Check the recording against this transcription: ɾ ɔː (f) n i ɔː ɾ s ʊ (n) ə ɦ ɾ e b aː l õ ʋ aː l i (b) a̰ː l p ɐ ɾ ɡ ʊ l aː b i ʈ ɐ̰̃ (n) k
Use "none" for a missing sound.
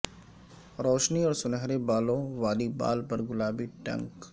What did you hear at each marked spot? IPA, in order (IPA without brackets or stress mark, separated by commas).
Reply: ʃ, n, b, ŋ